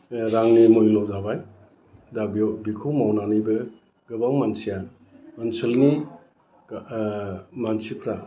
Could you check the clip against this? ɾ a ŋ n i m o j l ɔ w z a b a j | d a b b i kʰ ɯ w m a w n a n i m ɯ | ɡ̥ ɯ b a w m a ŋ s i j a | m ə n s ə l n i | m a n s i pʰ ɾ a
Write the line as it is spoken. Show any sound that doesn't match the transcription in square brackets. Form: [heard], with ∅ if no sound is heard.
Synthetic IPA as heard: ɾ a ŋ n i m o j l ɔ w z a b a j | d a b b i kʰ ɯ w m a w n a n i [b] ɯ | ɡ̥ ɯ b a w m a [n] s i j a | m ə n s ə l n i | m a n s i pʰ ɾ a